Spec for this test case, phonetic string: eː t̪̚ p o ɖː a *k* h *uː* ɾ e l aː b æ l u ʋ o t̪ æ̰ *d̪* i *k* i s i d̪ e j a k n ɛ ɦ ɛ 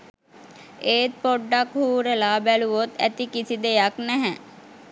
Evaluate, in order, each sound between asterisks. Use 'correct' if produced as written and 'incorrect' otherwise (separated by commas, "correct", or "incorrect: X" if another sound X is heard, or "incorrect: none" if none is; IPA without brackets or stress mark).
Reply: correct, correct, incorrect: t̪, correct